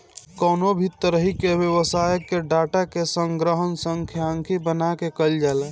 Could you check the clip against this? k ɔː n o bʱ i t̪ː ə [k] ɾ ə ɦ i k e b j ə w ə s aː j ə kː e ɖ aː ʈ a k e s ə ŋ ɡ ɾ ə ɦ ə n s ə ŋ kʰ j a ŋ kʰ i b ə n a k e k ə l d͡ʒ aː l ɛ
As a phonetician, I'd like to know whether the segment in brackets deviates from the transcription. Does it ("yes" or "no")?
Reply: yes